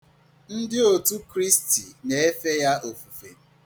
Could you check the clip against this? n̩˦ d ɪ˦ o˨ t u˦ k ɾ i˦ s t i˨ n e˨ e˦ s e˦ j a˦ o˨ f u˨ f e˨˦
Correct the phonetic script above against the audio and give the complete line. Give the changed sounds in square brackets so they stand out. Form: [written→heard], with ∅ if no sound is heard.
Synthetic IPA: n̩˦ d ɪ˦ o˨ t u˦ k ɾ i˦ s t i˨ n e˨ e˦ [s→f] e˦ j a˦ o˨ f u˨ f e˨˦